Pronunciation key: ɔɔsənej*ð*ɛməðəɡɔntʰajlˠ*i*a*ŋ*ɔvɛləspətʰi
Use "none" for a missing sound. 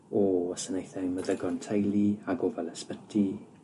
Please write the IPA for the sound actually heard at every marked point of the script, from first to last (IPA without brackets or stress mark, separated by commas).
θ, i, ɡ